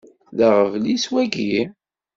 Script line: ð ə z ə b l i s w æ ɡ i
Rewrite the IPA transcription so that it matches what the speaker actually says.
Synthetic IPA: ð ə ʁ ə v l i s w æ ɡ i